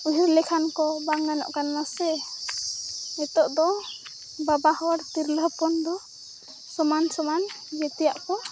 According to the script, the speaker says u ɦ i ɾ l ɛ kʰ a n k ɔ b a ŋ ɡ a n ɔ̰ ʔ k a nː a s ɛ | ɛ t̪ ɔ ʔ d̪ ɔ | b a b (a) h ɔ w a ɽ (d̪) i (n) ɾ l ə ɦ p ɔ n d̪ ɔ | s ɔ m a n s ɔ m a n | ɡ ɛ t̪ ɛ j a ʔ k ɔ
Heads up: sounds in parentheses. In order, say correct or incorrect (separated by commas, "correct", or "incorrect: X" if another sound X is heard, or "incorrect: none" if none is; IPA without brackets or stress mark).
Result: correct, incorrect: t̪, incorrect: none